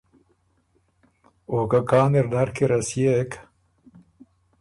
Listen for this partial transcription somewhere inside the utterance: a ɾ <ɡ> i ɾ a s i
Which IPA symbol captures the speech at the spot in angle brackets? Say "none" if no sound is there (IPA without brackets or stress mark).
k